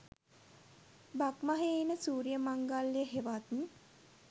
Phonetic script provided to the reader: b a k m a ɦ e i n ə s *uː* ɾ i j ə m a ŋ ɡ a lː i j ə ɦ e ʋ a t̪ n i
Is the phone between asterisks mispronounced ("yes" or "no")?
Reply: no